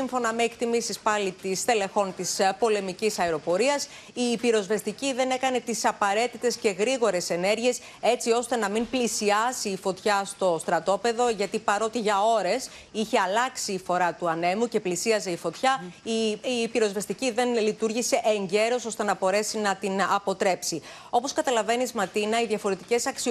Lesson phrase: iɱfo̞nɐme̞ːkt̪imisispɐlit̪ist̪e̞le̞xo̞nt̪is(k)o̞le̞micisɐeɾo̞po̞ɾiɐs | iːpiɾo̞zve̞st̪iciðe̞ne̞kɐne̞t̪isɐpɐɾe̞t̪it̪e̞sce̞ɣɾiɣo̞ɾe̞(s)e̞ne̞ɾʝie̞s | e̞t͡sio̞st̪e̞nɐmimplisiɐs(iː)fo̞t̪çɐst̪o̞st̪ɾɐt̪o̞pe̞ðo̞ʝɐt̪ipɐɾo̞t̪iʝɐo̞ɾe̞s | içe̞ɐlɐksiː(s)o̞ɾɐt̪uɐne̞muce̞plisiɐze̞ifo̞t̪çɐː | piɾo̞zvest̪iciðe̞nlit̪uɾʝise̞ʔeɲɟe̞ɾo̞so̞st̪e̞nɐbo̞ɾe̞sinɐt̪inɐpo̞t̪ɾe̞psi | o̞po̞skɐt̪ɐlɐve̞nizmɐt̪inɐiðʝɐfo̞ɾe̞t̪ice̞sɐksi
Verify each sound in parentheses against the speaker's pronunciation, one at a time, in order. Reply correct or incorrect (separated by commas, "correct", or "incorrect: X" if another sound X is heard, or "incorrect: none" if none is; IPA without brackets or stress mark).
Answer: incorrect: p, correct, correct, incorrect: f